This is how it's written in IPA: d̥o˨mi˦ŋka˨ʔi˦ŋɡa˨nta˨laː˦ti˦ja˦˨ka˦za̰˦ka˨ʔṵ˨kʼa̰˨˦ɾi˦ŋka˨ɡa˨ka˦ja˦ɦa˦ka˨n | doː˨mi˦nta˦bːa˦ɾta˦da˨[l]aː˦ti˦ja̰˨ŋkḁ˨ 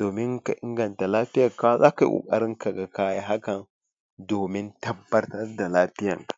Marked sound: correct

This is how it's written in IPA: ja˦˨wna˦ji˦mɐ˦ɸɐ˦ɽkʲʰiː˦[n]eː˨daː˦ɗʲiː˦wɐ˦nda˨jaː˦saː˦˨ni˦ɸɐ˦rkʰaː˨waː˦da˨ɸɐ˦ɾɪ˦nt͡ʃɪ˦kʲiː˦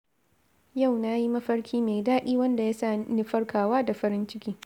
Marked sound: incorrect: m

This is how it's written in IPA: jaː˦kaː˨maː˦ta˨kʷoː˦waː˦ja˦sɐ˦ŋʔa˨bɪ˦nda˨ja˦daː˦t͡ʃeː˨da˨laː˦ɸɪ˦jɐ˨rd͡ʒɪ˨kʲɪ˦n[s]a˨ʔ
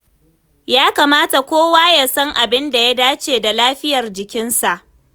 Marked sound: correct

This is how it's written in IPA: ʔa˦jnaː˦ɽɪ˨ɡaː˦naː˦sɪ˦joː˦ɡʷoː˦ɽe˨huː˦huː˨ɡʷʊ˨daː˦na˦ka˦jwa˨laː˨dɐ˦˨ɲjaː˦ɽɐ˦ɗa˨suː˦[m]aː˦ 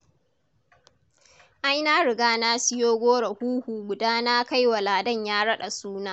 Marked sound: incorrect: n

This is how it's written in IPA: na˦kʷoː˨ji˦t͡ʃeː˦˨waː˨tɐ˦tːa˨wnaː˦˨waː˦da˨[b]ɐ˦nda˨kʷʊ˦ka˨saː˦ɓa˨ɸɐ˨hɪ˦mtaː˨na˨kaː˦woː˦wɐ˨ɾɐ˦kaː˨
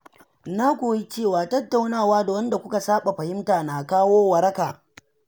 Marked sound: incorrect: w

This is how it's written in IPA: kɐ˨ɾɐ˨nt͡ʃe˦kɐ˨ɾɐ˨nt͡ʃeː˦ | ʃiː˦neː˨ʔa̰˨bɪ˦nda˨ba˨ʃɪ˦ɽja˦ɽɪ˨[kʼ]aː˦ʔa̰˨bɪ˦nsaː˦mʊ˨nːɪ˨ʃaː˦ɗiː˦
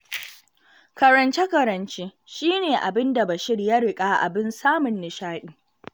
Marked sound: correct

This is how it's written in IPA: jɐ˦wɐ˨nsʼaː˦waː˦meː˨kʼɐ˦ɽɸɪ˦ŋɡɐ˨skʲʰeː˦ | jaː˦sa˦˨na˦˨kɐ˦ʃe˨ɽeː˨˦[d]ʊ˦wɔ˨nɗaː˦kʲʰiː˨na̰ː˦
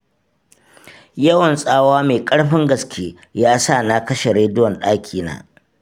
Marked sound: correct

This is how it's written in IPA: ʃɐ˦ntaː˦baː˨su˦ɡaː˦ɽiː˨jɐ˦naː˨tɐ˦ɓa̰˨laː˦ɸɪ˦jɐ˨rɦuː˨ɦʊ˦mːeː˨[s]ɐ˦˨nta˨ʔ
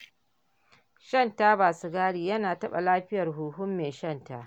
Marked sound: incorrect: ʃ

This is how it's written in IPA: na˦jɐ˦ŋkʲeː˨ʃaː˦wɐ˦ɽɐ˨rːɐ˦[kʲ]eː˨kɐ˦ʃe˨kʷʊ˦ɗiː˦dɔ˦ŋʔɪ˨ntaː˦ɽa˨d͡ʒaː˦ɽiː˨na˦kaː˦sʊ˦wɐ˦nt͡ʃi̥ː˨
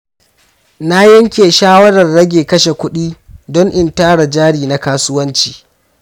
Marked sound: incorrect: ɡʲ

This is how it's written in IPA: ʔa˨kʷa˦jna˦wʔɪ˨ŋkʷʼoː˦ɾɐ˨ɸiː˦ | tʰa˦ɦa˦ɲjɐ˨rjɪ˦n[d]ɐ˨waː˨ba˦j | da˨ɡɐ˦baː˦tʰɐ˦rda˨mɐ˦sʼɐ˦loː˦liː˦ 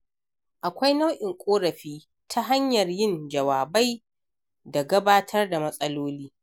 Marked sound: incorrect: d͡ʒ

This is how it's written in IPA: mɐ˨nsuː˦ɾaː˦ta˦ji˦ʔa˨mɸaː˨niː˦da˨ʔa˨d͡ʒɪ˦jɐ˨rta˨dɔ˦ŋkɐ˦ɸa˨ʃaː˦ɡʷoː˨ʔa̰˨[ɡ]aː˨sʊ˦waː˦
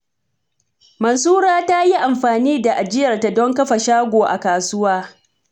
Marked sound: incorrect: k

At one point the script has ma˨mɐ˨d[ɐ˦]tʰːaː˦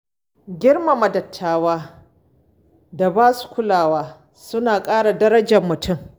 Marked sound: incorrect: ɐ˨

